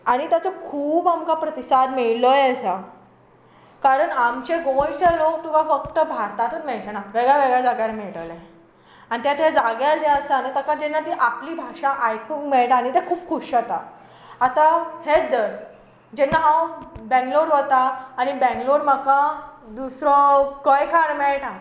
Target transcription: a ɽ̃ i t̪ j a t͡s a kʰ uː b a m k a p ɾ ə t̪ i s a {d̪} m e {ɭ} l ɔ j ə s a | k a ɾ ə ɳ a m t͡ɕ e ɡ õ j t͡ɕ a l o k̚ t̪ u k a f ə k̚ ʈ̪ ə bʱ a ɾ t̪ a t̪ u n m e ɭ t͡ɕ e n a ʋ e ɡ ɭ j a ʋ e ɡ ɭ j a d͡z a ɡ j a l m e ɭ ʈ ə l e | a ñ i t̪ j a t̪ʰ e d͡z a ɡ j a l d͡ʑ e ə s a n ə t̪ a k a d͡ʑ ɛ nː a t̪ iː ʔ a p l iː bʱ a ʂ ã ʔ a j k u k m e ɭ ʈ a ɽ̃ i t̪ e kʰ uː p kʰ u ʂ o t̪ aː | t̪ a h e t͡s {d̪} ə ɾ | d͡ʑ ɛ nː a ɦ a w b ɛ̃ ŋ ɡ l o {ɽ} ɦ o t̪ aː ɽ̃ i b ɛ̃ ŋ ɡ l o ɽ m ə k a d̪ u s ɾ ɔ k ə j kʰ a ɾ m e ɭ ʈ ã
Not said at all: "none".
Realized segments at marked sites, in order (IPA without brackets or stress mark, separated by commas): d̪, ɭ, d̪, ɽ